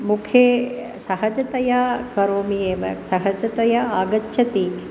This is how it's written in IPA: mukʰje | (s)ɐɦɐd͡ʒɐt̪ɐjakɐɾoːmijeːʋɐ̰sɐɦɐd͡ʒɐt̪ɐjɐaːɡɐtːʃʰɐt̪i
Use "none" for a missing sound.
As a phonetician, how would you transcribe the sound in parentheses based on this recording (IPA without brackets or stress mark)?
s